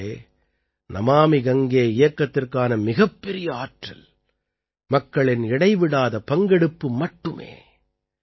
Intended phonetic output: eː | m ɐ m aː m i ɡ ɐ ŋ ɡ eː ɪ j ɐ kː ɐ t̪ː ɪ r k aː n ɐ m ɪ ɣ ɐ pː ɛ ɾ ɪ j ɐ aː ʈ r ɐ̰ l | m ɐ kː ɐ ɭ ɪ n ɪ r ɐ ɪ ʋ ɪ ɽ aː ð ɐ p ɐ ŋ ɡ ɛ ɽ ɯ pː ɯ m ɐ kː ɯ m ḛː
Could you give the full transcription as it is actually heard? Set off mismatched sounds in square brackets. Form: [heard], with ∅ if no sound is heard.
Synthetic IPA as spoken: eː | [n] ɐ m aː m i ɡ ɐ ŋ ɡ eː ɪ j ɐ kː ɐ t̪ː ɪ r k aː n ɐ m ɪ ɣ ɐ pː ɛ ɾ ɪ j ɐ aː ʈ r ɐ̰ l | m ɐ kː ɐ ɭ ɪ n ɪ [ɽ] ɐ ɪ ʋ ɪ ɽ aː ð ɐ p ɐ ŋ ɡ ɛ ɽ ɯ pː ɯ m ɐ [ʈː] ɯ m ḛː